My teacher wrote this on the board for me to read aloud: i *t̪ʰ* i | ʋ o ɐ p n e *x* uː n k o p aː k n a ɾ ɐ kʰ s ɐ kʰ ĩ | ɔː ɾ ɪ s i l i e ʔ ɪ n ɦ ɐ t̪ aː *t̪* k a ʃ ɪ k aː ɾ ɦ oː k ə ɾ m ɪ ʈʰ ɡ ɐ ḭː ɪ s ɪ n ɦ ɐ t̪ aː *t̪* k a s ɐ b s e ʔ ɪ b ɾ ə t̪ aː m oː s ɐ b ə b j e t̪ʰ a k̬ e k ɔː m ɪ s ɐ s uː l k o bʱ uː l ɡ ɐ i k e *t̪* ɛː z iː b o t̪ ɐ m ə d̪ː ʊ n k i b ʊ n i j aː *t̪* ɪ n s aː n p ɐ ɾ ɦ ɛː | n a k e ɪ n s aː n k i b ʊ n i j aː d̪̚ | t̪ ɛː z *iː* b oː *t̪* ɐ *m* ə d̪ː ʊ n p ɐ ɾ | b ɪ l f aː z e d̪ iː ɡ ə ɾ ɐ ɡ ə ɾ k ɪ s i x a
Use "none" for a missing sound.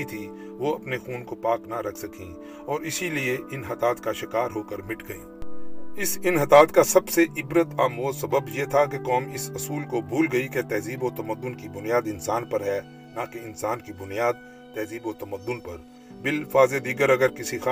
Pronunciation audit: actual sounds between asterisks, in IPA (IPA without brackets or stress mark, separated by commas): t̪ʰ, x, t̪, t̪, t̪, d̪, iː, t̪, m